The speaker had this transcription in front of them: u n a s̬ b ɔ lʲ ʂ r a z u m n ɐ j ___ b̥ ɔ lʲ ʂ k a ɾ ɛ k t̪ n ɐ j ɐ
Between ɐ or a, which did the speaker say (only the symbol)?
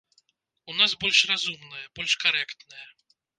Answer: ɐ